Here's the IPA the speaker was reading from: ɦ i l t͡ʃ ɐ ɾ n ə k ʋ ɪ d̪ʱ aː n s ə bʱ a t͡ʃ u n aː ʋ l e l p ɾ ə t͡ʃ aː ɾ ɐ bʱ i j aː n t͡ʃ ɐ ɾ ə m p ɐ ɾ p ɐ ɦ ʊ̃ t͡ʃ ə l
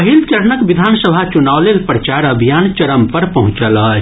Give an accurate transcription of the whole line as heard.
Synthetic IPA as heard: ɦ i l t͡ʃ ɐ ɾ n ə k ʋ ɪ d̪ʱ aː n s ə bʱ a t͡ʃ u n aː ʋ l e l p ɾ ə t͡ʃ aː ɾ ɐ bʱ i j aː n t͡ʃ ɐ ɾ ə m p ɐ ɾ p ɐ ɦ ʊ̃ t͡ʃ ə l